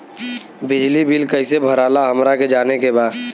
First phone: b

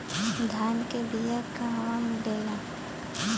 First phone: d̪ʱ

